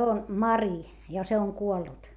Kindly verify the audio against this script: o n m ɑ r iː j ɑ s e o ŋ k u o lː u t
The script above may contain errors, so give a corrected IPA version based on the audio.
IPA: o n m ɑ r i j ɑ s e o ŋ k u o lː u t

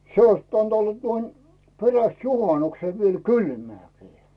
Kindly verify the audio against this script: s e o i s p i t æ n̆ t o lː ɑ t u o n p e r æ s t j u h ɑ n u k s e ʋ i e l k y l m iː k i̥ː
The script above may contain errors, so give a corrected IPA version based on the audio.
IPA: s e o i s p i t æ n̆ t o lː ɑ t u o n p e r æ s t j u h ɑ n u k s e ʋ i e l k y l m æː k i̥ː

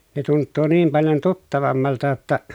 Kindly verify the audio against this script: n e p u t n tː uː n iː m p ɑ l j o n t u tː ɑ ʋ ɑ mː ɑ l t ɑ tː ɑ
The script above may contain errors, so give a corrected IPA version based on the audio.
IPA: n e t u n tː uː n iː m p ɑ l j o n t u tː ɑ ʋ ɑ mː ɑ l t ɑ tː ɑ

